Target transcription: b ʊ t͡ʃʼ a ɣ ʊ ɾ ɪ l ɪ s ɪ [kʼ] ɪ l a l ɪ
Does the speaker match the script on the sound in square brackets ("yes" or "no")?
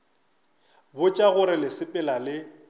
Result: no